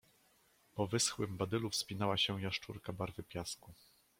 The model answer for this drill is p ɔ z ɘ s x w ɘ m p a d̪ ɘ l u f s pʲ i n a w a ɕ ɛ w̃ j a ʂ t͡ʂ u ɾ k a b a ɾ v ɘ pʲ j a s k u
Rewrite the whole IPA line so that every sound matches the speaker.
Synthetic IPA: p ɔ v ɘ s x w ɘ m b a d̪ ɘ l u f s pʲ i n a w a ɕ ɛ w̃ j a ʂ t͡ʂ u ɾ k a b a ɾ v ɘ pʲ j a s k u

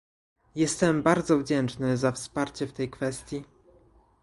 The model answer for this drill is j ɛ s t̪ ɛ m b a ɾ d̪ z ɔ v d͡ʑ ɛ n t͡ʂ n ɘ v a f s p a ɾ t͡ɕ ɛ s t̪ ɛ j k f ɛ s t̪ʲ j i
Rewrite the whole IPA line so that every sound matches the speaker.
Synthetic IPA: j ɛ s t̪ ɛ m b a ɾ d̪ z ɔ v d͡ʑ ɛ n t͡ʂ n ɘ z a f s p a ɾ t͡ɕ ɛ f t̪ ɛ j k f ɛ s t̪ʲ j i

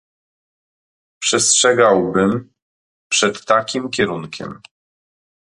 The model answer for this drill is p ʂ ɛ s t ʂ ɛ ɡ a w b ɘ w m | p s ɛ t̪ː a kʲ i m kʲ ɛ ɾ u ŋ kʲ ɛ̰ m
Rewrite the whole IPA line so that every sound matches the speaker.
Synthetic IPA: p ʂ ɛ s t ʂ ɛ ɡ a w b ɘ m | p ʂ ɛ t̪ː a kʲ i m kʲ ɛ ɾ u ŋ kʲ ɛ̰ m

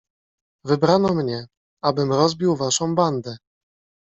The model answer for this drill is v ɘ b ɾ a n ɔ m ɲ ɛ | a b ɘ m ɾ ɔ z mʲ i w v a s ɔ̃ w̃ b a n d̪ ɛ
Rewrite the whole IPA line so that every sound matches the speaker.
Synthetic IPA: v ɘ b ɾ a n ɔ m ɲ ɛ | a b ɘ m ɾ ɔ z bʲ i w v a ʂ ɔ̃ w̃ b a n d̪ ɛ

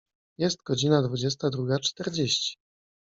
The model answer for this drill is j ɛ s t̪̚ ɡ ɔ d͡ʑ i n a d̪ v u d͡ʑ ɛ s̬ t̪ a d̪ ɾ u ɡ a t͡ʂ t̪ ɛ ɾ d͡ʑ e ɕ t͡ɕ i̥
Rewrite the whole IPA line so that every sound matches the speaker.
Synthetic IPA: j ɛ s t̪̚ ɡ ɔ d͡ʑ i n a d̪ v u d͡ʑ ɛ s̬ t̪ a d̪ ɾ u ɡ a t͡ʂ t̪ ɛ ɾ d͡ʑ e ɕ t͡ɕ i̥

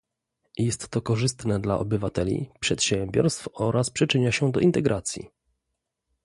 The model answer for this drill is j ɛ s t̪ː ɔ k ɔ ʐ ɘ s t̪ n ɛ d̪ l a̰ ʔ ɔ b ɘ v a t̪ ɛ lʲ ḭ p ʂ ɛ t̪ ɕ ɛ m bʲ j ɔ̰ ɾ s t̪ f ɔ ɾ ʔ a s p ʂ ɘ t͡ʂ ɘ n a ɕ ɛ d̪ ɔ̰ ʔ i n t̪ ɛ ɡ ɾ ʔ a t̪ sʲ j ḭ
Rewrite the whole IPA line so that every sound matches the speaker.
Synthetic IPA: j ɛ s t̪ː ɔ k ɔ ʐ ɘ s t̪ n ɛ d̪ l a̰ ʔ ɔ b ɘ v a t̪ ɛ lʲ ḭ p ʂ ɛ t̪ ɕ ɛ m bʲ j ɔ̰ ɾ s t̪ f ɔ ɾ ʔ a s p ʂ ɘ t͡ʂ ɘ ɲ a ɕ ɛ d̪ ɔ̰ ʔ i n t̪ ɛ ɡ ɾ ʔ a t̪ sʲ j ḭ

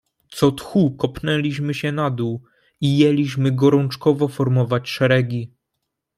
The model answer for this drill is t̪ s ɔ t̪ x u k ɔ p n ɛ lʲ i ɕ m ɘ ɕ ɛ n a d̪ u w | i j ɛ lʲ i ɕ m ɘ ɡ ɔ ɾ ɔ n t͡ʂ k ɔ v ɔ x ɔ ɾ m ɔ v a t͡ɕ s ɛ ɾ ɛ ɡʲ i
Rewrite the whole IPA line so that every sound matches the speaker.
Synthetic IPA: t̪ s ɔ t̪ x u k ɔ p n ɛ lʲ i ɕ m ɘ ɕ ɛ n a d̪ u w | i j ɛ lʲ i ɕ m ɘ ɡ ɔ ɾ ɔ n t͡ʂ k ɔ v ɔ f ɔ ɾ m ɔ v a t͡ɕ ʂ ɛ ɾ ɛ ɡʲ i

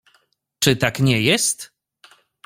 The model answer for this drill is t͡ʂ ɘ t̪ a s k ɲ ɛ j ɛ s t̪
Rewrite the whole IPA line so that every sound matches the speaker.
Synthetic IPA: t͡ʂ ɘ t̪ a k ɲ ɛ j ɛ s t̪

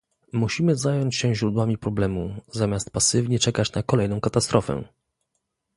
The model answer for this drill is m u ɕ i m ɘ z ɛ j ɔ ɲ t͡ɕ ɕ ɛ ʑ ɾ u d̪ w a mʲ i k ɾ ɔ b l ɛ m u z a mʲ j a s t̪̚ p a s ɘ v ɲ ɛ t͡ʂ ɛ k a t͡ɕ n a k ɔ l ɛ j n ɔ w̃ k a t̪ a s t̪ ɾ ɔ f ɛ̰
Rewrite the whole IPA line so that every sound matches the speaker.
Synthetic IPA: m u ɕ i m ɘ z a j ɔ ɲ t͡ɕ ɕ ɛ ʑ ɾ u d̪ w a mʲ i p ɾ ɔ b l ɛ m u z a mʲ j a s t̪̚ p a s ɘ v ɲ ɛ t͡ʂ ɛ k a t͡ɕ n a k ɔ l ɛ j n ɔ̃ w̃ k a t̪ a s t̪ ɾ ɔ f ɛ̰

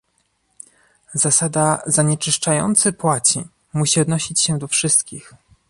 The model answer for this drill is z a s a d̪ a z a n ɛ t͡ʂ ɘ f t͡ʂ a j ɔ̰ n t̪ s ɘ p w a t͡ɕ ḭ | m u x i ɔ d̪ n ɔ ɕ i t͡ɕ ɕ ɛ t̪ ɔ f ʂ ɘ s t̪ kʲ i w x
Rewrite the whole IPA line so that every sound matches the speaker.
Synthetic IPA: z a s a d̪ a z a ɲ ɛ t͡ʂ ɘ ʂ t͡ʂ a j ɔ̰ n t̪ s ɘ p w a t͡ɕ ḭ | m u ɕ i ɔ d̪ n ɔ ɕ i t͡ɕ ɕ ɛ d̪ ɔ f ʂ ɘ s t̪ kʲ i x

